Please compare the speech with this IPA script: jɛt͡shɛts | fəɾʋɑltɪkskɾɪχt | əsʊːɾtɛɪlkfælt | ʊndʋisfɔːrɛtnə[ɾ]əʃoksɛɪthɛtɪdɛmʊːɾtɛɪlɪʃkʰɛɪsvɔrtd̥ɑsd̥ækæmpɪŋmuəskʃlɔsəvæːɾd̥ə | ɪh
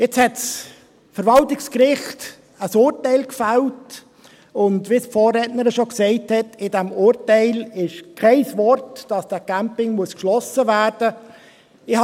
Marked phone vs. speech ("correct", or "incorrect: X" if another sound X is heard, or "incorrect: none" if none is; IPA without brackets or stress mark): correct